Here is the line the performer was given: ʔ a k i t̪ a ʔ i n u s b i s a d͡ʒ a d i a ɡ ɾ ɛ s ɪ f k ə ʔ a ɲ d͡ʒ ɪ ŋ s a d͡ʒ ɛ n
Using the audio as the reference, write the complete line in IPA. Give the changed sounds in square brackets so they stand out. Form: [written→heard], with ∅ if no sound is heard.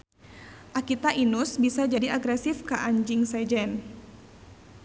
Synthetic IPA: ʔ a k i t̪ a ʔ i n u s b i s a d͡ʒ a d i a ɡ ɾ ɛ s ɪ f k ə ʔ a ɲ d͡ʒ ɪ ŋ s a d͡ʒ ɛ n

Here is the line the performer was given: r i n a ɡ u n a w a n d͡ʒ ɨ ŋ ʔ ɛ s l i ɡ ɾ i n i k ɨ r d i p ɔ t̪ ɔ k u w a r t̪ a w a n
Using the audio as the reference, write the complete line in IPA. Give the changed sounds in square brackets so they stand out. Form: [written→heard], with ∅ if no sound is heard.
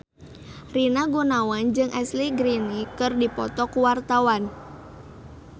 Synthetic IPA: r i n a ɡ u n a w a n d͡ʒ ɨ ŋ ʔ ɛ s l i ɡ ɾ i n i k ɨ r d i p ɔ t̪ ɔ k u w a r t̪ a w a n

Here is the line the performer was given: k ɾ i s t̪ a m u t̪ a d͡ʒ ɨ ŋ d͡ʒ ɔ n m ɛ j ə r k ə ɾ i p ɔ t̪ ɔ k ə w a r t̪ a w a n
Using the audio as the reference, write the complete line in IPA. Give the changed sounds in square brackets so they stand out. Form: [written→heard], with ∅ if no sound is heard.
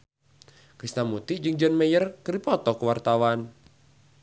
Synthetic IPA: k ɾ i s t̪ a m u t̪ [a→i] d͡ʒ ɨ ŋ d͡ʒ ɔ n m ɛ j ə r k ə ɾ i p ɔ t̪ ɔ k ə w a r t̪ a w a n

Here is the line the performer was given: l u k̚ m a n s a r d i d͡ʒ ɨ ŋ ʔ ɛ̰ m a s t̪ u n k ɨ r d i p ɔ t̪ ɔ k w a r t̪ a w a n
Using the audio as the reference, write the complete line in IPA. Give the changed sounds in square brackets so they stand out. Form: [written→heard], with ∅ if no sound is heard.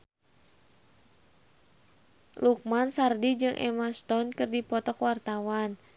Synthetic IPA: l u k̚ m a n s a r d i d͡ʒ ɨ ŋ ʔ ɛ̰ m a s t̪ [u→ɔ] n k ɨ r d i p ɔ t̪ ɔ k w a r t̪ a w a n

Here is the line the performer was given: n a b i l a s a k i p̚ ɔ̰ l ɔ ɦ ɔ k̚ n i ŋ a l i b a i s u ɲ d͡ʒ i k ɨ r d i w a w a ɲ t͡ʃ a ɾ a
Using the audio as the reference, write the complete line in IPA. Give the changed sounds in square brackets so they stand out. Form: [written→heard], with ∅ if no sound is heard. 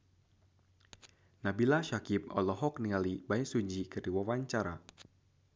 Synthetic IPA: n a b i l a [s→ʃ] a k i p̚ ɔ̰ l ɔ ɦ ɔ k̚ n i ŋ a l i b a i s u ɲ d͡ʒ i k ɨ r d i w a w a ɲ t͡ʃ a ɾ a

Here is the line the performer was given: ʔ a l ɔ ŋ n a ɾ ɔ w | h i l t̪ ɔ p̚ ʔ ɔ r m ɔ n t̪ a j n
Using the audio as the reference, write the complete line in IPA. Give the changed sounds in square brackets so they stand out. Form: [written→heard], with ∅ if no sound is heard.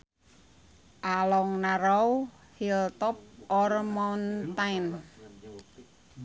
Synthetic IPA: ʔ a l ɔ ŋ n a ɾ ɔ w | h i l t̪ ɔ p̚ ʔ ɔ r m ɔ n t̪ a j n

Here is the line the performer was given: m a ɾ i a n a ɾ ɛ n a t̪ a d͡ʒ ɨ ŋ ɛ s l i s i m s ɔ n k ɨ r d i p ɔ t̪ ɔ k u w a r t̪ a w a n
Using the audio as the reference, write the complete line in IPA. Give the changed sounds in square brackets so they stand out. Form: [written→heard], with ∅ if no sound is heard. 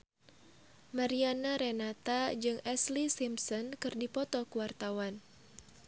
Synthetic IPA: m a ɾ i a n a ɾ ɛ n a t̪ a d͡ʒ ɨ ŋ ɛ s l i s i m s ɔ n k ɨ r d i p ɔ t̪ ɔ k u w a r t̪ a w a n

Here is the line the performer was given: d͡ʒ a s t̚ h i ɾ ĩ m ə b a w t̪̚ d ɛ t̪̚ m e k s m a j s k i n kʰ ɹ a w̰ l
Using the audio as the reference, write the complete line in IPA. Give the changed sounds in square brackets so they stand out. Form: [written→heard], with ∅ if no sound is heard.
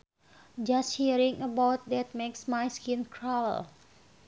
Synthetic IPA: d͡ʒ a s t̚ h i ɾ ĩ [m→ŋ] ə b a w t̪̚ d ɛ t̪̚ m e k s m a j s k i n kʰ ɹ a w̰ l

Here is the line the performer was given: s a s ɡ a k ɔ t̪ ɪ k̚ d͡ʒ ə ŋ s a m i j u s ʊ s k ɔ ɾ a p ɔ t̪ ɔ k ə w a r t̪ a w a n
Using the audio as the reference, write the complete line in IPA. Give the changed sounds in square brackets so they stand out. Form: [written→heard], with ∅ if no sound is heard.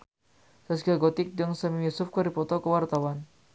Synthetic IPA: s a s ɡ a [k→ɡ] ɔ t̪ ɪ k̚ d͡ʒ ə ŋ s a m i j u s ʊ [s→f] k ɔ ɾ [a→i] p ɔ t̪ ɔ k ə w a r t̪ a w a n

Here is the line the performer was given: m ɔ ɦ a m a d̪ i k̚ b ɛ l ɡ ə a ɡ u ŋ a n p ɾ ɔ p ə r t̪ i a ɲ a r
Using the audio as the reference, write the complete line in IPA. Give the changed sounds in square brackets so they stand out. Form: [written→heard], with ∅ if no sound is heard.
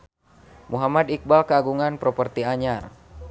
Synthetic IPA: m [ɔ→u] ɦ a m a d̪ i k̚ b [ɛ→a] l [ɡ→k] ə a ɡ u ŋ a n p ɾ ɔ p ə r t̪ i a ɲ a r

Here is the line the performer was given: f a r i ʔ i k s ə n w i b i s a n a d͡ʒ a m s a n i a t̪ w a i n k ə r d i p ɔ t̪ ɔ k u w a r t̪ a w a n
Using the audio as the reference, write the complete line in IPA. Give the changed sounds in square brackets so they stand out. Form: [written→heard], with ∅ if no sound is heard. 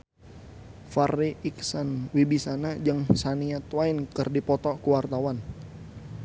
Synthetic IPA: f a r i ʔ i k s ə n w i b i s a n a d͡ʒ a [m→ŋ] s a n i a t̪ w a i n k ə r d i p ɔ t̪ ɔ k u w a r t̪ a w a n

